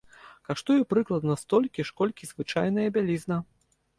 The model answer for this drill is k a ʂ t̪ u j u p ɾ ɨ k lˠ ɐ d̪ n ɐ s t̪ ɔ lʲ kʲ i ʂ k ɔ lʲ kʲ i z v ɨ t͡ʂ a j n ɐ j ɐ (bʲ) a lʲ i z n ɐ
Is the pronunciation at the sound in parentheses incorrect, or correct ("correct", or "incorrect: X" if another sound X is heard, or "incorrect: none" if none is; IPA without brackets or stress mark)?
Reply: correct